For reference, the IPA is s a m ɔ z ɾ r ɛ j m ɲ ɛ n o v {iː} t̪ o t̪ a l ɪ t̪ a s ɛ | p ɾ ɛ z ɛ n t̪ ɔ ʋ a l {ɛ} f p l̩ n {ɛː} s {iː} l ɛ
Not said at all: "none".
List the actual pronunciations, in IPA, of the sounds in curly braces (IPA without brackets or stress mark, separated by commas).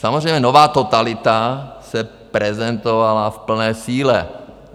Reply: aː, a, ɛː, iː